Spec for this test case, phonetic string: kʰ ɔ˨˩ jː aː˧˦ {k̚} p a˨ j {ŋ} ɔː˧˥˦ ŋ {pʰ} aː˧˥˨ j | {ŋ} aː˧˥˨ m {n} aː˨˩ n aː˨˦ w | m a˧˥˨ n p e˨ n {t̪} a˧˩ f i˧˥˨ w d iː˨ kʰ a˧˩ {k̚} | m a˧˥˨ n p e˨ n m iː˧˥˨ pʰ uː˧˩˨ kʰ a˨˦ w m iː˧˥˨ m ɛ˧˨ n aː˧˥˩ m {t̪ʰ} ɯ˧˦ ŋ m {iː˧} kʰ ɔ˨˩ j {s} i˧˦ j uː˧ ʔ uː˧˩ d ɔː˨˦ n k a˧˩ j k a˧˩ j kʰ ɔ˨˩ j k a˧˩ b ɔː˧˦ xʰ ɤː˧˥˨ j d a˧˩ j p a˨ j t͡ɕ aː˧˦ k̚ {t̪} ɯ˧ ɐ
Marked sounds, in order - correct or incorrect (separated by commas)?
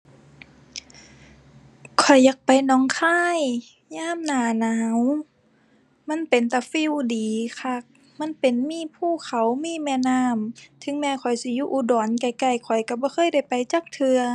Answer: correct, incorrect, incorrect, incorrect, correct, correct, correct, correct, incorrect, correct, incorrect